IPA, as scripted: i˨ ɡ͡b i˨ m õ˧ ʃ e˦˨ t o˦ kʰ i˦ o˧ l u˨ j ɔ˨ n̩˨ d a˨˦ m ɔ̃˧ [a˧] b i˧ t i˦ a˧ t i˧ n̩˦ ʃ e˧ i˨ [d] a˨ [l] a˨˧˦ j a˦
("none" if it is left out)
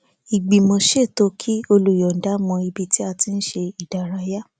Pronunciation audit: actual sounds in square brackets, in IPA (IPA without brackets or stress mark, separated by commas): i˧, d, ɾ